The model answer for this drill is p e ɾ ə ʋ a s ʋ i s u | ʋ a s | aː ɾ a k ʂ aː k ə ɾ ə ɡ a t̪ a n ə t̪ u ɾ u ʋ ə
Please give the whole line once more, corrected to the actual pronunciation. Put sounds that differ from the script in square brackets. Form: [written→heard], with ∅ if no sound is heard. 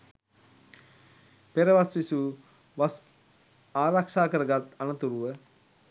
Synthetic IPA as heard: p e ɾ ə ʋ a s ʋ i s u | ʋ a s | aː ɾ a k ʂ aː k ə ɾ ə ɡ a t̪ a n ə t̪ u ɾ u ʋ ə

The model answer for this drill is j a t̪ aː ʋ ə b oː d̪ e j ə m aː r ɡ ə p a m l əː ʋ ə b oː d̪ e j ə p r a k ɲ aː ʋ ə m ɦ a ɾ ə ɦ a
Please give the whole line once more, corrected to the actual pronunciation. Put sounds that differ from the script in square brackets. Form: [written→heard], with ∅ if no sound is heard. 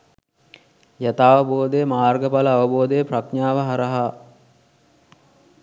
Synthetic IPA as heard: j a t̪ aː ʋ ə b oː d̪ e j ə m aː r ɡ ə p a [m→∅] l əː ʋ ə b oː d̪ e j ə p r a k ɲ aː ʋ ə [m→∅] ɦ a ɾ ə ɦ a

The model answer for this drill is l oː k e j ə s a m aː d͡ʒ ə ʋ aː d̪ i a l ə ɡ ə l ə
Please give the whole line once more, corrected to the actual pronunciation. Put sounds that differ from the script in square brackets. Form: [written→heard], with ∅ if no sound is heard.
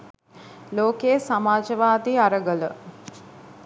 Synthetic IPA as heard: l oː k e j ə s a m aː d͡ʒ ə ʋ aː d̪ i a [l→ɾ] ə ɡ ə l ə

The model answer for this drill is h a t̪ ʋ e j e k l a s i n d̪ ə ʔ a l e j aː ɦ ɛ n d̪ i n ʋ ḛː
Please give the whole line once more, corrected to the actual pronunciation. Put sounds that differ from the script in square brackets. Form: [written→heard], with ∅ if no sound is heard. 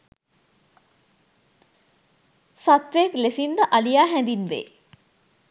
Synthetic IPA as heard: [h→s] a t̪ ʋ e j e k l [a→e] s i n d̪ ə ʔ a l [e→i] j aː ɦ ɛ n d̪ i n ʋ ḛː

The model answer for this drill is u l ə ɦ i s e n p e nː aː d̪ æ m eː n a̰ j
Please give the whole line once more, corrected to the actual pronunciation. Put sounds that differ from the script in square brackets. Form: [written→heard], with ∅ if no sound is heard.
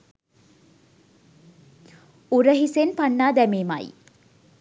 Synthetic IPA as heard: u [l→ɾ] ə ɦ i s e n p [e→a] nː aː d̪ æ m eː [n→m] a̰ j

